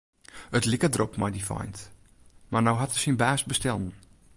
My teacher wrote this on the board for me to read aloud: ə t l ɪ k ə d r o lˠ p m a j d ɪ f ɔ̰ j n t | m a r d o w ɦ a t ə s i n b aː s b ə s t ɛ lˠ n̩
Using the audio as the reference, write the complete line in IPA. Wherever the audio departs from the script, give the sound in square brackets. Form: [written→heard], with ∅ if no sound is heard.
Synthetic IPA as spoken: ə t l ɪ k ə d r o [lˠ→∅] p m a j d [ɪ→i] f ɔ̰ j n t | m a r [d→n] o w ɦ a t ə s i n b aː s b ə s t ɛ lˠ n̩

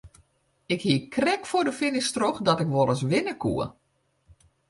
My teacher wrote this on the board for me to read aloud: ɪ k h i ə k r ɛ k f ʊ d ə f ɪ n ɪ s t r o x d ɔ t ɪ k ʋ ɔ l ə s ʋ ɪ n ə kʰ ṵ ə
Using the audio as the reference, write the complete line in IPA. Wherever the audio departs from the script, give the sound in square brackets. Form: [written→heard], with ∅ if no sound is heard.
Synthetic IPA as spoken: ɪ k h i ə k r ɛ k f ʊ d ə f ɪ n ɪ s t r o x d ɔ t ɪ k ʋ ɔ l ə s ʋ ɪ n ə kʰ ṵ ə

